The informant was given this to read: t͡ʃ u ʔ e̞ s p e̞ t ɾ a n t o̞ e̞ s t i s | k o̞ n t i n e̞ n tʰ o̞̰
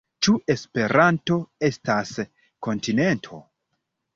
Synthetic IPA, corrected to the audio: t͡ʃ u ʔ e̞ s p e̞ ɾ a n t o̞ e̞ s t a s | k o̞ n t i n e̞ n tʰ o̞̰